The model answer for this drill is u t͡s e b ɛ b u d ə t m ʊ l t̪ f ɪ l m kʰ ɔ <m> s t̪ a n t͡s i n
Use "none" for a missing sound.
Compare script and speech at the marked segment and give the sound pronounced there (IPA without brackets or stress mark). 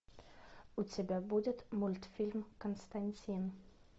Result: n